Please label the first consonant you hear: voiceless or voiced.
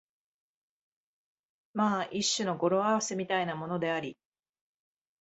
voiced